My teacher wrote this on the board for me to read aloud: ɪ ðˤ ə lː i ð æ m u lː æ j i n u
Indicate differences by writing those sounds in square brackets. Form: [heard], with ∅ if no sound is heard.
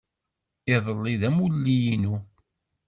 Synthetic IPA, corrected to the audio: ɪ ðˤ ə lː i ð æ m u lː [i] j i n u